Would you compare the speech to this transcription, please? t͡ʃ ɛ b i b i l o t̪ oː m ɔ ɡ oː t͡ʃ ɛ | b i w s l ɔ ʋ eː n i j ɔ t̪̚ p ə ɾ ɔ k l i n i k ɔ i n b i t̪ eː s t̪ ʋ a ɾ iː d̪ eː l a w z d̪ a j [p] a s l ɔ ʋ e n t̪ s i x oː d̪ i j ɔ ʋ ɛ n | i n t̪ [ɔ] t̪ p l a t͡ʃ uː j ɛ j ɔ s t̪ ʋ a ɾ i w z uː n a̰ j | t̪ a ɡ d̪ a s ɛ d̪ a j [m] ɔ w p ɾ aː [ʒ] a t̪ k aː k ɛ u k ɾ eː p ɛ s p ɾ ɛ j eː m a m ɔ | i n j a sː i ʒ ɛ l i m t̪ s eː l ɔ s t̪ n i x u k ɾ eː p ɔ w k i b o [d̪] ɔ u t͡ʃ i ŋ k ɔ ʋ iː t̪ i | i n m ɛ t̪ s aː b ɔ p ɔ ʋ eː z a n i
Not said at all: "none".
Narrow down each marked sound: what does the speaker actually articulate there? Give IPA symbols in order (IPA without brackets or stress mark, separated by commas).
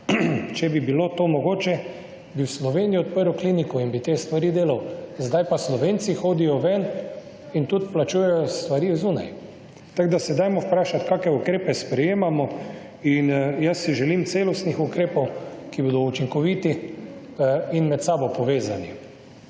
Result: p, u, m, ʃ, d̪